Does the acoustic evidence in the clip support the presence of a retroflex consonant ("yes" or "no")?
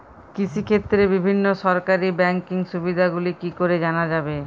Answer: no